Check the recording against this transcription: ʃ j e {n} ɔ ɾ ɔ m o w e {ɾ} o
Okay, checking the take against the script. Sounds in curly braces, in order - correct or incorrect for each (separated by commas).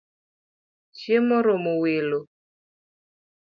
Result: incorrect, incorrect